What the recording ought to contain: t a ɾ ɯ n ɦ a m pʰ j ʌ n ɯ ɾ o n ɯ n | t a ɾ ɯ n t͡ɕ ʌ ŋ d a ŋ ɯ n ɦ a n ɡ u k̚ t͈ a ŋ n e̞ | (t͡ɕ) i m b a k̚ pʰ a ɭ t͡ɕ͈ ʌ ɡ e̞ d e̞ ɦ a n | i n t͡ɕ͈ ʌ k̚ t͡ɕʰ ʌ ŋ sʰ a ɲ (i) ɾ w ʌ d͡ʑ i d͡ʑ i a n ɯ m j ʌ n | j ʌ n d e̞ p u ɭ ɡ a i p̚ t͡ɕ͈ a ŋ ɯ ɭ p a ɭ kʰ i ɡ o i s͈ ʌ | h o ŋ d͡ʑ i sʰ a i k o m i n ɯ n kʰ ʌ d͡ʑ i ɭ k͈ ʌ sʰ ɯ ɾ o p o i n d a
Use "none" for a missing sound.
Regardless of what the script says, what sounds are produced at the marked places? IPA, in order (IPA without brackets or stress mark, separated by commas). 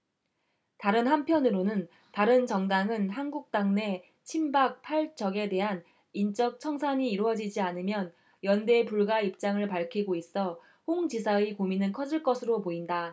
t͡ɕʰ, iː